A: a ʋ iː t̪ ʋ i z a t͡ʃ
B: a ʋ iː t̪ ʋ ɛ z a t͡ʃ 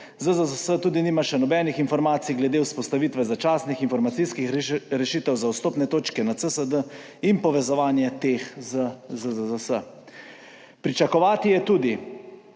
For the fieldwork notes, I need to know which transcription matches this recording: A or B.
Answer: B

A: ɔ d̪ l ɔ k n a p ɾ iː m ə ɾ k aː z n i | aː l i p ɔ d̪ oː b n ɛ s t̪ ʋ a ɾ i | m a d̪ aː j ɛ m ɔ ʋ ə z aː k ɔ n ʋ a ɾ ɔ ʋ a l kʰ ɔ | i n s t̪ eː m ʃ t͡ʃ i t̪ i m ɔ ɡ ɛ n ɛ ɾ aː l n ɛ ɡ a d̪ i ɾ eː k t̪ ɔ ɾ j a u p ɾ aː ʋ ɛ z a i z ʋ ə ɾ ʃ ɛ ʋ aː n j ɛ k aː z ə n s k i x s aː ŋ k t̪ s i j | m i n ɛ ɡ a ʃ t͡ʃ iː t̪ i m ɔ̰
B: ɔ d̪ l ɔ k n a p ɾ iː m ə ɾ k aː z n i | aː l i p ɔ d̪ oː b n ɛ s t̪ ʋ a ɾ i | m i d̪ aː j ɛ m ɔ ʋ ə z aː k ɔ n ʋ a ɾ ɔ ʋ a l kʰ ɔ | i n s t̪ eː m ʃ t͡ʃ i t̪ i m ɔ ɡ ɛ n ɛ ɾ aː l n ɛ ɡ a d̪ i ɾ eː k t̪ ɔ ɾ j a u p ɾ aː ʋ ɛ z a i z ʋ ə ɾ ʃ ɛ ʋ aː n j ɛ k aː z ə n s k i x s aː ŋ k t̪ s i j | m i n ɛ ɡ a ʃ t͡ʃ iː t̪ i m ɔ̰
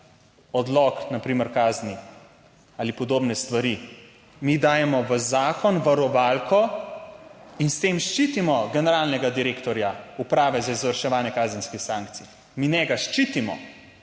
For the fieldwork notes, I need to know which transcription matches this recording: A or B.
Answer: B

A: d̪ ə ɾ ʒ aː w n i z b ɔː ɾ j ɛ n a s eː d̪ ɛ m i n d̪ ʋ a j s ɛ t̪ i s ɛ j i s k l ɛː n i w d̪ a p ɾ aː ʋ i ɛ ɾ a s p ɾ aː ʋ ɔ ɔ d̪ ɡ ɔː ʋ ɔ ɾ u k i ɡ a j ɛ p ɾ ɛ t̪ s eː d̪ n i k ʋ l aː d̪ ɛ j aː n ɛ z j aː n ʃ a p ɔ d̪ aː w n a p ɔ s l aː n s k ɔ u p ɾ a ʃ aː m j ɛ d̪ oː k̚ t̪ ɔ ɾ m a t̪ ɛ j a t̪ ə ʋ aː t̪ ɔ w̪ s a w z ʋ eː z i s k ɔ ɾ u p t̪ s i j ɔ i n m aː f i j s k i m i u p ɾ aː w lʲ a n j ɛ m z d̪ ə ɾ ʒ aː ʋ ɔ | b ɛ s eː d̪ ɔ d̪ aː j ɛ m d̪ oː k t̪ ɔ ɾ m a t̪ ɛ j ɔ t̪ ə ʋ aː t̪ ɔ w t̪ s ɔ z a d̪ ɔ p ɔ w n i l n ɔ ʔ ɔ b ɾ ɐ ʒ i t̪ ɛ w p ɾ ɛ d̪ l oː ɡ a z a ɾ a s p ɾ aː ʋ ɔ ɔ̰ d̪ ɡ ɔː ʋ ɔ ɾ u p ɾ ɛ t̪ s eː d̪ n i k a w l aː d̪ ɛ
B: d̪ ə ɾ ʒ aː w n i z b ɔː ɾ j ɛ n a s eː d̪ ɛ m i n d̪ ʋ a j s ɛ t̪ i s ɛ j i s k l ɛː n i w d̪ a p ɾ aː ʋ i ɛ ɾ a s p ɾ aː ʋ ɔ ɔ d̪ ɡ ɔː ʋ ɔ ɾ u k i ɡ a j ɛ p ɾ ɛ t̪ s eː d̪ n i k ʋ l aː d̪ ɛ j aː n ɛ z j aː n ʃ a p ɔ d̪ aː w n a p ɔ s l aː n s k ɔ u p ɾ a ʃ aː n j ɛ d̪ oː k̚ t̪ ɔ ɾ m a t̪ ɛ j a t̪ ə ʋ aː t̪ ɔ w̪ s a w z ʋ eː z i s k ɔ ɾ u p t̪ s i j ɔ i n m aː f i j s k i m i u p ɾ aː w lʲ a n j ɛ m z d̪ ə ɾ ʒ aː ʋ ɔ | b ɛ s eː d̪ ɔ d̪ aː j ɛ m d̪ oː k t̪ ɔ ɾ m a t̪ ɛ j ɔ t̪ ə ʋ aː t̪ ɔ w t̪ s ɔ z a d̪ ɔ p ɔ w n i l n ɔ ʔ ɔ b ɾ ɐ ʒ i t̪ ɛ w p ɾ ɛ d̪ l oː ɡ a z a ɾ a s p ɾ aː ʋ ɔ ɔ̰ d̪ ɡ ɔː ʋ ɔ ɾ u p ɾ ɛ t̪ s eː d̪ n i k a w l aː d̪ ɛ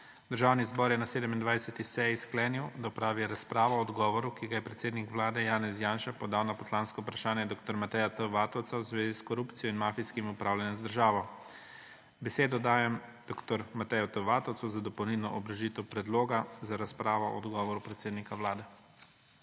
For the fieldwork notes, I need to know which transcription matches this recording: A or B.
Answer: B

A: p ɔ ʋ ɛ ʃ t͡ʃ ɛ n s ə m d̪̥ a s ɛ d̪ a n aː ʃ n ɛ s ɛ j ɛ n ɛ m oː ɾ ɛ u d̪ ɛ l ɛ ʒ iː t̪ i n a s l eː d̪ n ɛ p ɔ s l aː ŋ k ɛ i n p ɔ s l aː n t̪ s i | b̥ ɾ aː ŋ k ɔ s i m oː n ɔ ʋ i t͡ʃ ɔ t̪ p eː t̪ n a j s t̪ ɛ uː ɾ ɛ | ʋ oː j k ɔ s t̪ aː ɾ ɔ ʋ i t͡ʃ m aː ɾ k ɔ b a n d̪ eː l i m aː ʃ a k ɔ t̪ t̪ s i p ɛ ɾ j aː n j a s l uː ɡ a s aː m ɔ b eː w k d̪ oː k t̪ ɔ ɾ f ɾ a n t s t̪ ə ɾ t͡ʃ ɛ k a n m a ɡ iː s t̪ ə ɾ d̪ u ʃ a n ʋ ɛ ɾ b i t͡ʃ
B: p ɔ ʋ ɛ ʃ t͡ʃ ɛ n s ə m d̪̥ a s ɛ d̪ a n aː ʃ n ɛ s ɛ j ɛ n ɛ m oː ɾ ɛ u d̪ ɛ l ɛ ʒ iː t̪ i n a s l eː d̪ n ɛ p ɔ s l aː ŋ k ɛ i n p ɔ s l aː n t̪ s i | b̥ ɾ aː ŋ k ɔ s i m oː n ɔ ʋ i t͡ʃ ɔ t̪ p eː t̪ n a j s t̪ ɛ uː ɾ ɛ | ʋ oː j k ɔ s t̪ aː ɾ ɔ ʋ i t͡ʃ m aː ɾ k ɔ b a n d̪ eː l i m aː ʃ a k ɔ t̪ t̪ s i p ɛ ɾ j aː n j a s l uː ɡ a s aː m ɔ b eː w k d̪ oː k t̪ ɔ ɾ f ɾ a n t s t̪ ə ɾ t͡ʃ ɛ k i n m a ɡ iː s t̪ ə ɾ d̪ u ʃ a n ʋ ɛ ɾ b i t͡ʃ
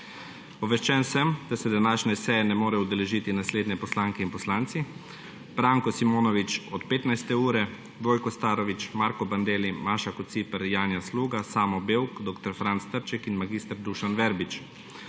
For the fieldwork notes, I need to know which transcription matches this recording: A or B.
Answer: B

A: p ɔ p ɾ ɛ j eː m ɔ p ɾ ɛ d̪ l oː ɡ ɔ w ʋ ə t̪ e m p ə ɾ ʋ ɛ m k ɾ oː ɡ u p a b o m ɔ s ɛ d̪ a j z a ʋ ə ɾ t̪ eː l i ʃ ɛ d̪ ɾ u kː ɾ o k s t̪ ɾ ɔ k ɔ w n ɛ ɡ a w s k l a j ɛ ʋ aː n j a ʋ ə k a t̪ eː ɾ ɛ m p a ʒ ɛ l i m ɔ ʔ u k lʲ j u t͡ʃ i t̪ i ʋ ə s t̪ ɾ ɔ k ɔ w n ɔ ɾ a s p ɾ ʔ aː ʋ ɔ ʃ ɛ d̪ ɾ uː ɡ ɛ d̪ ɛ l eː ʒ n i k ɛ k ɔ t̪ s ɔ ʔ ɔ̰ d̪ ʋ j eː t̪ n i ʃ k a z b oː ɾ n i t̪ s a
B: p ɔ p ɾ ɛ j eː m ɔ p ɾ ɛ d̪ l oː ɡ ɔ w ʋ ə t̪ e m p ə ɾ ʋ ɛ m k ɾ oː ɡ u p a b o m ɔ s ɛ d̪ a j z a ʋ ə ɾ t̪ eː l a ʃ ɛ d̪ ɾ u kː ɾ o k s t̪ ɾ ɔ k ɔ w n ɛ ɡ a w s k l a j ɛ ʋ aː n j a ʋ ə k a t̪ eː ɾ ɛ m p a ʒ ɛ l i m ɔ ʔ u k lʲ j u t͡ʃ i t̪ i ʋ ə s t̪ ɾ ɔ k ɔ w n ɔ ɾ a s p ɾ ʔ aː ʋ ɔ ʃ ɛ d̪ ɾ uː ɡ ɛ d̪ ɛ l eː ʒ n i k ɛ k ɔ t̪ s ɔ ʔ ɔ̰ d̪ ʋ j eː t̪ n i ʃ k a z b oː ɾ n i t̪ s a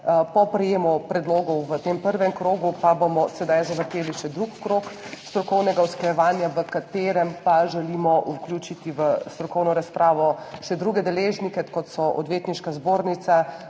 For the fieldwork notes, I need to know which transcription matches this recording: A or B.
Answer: A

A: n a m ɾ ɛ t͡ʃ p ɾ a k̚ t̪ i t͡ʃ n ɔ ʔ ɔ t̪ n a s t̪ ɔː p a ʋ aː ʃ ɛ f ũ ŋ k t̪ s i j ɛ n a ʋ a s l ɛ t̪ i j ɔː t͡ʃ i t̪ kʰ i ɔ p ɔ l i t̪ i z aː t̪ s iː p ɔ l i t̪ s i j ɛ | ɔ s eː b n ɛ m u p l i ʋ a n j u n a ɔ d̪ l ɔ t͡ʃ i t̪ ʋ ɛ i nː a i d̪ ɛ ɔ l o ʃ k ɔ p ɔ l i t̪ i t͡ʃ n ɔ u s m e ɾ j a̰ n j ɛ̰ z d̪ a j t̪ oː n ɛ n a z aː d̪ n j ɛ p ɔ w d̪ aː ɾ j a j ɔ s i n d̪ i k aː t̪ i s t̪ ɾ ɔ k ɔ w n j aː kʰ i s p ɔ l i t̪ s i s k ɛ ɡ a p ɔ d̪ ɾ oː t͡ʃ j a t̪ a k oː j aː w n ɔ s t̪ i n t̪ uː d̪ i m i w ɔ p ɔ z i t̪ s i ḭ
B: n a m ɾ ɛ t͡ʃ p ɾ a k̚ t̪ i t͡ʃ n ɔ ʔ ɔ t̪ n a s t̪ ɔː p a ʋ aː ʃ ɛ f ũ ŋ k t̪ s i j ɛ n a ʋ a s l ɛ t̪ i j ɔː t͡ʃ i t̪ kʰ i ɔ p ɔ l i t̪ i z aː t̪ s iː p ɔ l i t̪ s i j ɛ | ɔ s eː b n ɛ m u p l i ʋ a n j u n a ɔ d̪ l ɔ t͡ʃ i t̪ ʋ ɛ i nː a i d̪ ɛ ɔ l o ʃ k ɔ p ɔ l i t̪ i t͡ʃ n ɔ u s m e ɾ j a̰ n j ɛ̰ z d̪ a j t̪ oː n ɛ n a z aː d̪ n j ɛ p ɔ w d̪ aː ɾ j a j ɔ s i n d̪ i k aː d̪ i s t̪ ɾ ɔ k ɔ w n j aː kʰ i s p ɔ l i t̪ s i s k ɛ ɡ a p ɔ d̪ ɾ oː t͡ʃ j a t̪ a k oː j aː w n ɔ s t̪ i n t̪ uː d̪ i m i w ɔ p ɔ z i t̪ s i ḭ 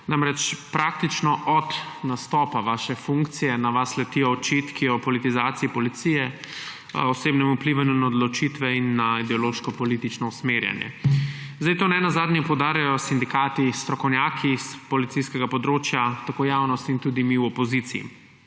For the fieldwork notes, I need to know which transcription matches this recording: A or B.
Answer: A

